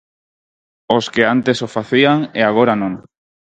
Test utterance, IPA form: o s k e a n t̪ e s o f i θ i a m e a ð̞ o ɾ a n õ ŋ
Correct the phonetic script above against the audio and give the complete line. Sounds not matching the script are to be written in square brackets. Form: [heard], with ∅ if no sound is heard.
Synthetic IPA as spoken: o s k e a n t̪ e s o f [a] θ i a [ŋ] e a [ɣ̞] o ɾ a n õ ŋ